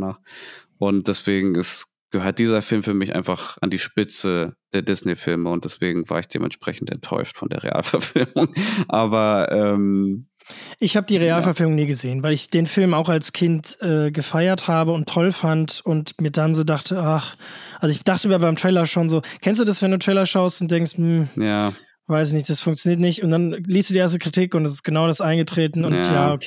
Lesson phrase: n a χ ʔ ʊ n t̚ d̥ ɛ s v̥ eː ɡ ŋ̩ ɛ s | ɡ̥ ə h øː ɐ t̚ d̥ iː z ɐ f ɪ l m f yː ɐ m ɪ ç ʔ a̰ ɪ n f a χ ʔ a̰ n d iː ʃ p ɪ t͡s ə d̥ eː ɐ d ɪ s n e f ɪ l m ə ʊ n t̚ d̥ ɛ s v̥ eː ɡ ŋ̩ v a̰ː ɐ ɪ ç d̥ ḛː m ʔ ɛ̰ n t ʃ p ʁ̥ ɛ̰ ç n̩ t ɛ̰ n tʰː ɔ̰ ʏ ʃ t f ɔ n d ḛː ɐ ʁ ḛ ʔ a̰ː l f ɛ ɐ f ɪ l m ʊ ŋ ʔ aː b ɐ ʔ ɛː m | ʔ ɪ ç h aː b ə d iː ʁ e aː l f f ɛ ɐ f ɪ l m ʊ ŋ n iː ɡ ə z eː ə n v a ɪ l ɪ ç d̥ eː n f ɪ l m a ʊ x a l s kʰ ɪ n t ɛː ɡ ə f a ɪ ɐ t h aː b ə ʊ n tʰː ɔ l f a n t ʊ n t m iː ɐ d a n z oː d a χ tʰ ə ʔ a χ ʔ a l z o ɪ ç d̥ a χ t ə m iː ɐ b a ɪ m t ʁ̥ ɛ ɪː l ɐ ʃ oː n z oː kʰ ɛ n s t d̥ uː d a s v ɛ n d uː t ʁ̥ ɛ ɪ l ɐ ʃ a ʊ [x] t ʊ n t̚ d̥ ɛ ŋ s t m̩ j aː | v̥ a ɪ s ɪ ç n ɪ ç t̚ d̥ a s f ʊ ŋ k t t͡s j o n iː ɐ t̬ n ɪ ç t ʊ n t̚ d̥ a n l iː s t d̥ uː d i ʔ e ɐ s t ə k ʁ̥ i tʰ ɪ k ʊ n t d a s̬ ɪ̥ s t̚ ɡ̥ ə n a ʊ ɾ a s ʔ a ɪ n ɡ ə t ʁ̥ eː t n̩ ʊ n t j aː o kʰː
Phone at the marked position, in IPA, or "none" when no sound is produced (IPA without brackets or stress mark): s